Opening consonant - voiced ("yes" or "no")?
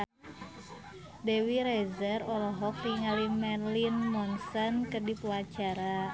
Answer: yes